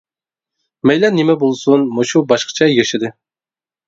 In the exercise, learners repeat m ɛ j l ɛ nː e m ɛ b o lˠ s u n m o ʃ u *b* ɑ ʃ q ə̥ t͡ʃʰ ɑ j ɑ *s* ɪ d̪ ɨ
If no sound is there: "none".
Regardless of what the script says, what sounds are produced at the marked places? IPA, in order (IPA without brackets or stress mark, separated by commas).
b, ʃ